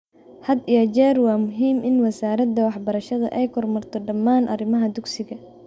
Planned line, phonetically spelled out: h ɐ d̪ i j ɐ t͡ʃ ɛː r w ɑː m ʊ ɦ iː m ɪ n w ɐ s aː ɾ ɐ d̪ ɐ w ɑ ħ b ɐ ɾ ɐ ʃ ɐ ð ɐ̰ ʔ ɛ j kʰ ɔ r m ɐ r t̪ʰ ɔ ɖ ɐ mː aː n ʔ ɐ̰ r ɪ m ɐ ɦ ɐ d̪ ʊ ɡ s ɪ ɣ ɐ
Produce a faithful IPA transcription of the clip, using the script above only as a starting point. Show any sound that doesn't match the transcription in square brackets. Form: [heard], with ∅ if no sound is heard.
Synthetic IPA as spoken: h ɐ d̪ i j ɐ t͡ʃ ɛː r w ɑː m ʊ ɦ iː m ɪ n w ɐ s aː ɾ ɐ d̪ ɐ w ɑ ħ b ɐ ɾ ɐ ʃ ɐ ð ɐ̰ ʔ ɛ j kʰ ɔ r m ɐ r t̪ʰ ɔ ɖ ɐ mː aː n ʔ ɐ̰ r ɪ m ɐ ɦ ɐ d̪ ʊ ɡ s ɪ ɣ ɐ